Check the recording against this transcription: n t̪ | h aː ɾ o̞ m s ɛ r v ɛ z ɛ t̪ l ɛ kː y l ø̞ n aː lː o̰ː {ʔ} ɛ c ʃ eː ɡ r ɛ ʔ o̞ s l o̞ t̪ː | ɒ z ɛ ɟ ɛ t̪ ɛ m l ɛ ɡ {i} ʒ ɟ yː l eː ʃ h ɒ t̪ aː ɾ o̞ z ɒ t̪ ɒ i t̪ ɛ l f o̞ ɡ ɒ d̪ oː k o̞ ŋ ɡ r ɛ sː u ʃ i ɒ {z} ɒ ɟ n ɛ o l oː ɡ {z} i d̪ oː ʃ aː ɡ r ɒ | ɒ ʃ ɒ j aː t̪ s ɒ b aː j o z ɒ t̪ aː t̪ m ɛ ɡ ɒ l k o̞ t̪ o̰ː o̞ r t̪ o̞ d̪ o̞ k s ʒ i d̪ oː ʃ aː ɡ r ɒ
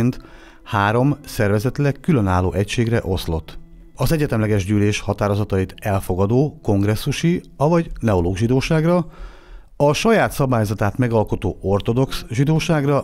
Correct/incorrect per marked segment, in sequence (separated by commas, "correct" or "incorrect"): correct, incorrect, incorrect, incorrect